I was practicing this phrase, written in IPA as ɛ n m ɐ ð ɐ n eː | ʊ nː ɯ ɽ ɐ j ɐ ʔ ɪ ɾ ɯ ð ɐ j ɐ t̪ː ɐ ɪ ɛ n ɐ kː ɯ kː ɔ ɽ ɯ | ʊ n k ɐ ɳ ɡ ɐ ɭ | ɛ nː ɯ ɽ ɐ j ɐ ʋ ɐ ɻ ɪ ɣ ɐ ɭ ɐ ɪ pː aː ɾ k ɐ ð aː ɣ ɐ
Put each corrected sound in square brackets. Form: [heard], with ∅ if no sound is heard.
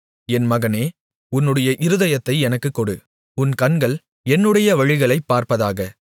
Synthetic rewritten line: ɛ n m ɐ [ɣ] ɐ n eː | ʊ nː ɯ ɽ ɐ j ɐ ʔ ɪ ɾ ɯ ð ɐ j ɐ t̪ː ɐ ɪ ɛ n ɐ kː ɯ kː ɔ ɽ ɯ | ʊ n k ɐ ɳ ɡ ɐ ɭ | ɛ nː ɯ ɽ ɐ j ɐ ʋ ɐ ɻ ɪ ɣ ɐ ɭ ɐ ɪ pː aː ɾ [p] ɐ ð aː ɣ ɐ